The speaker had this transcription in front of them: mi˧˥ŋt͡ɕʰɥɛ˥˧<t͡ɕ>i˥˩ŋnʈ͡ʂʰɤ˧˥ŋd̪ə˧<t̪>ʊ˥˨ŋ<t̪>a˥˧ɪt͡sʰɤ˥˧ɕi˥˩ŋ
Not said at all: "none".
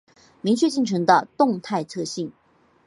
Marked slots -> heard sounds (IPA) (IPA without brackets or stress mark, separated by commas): t͡ɕ, t̪, t̪ʰ